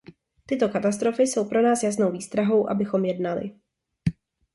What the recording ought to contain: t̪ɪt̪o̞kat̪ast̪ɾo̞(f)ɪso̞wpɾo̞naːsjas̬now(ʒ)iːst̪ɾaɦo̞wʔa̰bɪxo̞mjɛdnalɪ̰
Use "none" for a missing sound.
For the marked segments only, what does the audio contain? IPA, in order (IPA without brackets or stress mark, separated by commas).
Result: f, v